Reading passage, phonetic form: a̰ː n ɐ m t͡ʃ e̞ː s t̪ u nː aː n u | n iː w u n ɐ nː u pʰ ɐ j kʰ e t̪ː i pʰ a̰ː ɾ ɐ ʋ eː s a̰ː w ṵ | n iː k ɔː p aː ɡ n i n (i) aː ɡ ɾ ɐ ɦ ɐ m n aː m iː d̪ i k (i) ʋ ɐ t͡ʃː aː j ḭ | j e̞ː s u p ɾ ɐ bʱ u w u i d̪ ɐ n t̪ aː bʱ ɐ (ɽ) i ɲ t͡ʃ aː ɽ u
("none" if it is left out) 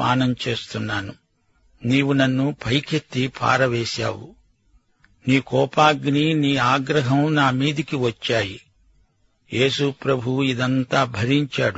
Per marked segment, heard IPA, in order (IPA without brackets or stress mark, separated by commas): iː, i, ɾ